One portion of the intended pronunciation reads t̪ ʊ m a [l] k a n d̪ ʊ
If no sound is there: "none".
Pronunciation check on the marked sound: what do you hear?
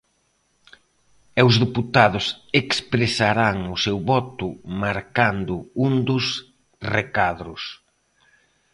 ɾ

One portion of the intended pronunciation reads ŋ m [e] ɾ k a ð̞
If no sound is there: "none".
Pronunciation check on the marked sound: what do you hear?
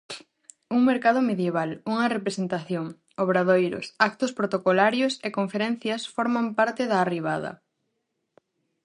e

